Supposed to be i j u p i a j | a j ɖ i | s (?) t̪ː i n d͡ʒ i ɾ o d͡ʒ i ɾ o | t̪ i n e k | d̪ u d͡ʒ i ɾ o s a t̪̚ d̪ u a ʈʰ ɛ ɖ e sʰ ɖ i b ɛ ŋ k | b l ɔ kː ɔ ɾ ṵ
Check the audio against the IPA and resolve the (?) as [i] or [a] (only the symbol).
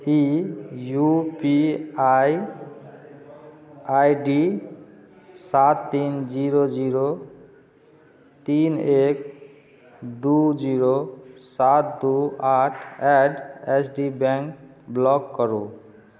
a